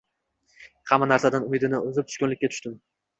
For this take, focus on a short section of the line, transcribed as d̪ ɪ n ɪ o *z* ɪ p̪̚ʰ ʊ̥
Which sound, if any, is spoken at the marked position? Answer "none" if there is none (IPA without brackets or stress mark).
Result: z